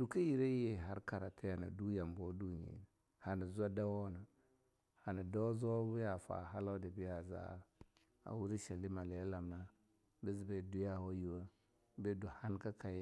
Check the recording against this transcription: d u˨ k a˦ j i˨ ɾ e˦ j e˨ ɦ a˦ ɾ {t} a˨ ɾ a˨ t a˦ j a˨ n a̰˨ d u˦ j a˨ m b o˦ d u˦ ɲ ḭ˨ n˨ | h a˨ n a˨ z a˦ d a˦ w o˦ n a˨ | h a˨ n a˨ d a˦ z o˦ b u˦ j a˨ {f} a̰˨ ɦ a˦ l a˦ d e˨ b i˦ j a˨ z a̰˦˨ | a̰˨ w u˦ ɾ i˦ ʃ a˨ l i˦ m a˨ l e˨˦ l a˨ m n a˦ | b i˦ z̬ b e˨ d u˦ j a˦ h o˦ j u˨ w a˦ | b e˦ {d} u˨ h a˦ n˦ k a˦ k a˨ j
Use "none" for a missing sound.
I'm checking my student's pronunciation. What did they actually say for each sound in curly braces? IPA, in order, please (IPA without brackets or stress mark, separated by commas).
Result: k, f, d